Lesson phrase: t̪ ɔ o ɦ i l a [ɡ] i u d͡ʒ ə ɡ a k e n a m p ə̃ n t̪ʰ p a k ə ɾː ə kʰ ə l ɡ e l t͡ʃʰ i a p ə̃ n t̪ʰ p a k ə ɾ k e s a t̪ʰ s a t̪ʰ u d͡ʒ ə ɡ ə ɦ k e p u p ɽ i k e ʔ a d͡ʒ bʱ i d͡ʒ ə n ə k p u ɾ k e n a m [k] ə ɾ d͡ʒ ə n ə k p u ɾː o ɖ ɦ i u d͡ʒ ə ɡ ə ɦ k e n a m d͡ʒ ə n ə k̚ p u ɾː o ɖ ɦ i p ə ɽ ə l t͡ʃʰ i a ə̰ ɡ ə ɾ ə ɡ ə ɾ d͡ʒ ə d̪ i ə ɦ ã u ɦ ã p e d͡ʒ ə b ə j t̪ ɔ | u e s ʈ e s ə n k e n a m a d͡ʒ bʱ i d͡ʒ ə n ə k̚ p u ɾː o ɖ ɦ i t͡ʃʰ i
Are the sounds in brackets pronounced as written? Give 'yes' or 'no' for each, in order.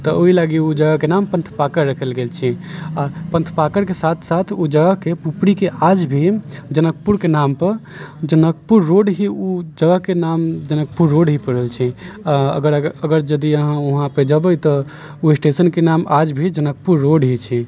yes, no

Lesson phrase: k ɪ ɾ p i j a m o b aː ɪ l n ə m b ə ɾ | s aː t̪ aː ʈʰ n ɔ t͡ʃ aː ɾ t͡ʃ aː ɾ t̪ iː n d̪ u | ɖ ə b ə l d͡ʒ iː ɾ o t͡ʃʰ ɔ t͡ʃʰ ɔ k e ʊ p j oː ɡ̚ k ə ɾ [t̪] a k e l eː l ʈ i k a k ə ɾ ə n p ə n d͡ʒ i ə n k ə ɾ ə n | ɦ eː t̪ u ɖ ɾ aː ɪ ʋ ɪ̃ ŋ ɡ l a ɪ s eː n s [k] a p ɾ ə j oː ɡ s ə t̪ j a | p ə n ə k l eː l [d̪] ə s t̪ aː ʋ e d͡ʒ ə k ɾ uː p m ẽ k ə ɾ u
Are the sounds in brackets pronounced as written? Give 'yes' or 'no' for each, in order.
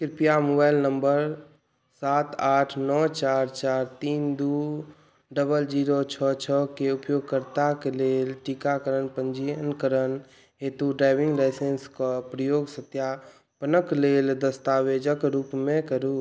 yes, yes, yes

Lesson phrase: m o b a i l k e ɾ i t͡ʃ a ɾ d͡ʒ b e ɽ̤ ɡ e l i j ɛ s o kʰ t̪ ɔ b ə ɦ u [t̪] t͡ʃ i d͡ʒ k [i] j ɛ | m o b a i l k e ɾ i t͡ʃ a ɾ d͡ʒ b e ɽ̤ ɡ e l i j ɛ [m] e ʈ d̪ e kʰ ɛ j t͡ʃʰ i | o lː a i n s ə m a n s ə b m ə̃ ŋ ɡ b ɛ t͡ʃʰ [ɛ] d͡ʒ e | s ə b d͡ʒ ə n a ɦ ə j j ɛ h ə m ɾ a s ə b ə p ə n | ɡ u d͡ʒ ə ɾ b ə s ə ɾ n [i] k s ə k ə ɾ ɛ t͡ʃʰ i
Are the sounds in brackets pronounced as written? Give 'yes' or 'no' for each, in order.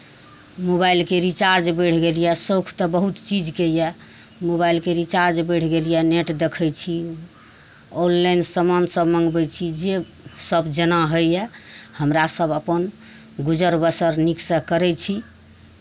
yes, no, no, no, yes

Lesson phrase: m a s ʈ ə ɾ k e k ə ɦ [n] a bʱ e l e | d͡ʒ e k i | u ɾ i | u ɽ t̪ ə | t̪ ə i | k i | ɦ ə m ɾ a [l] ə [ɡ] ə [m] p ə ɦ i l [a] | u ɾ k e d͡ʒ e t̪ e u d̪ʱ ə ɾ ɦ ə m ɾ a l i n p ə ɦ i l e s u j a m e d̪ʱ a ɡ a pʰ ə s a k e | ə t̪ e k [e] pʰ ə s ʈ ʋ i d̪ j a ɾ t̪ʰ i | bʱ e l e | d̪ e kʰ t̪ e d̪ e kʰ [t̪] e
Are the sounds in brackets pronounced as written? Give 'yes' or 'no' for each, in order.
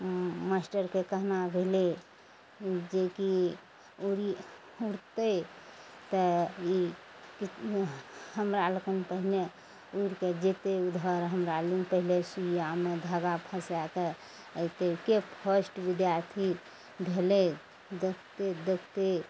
yes, yes, no, no, no, yes, yes

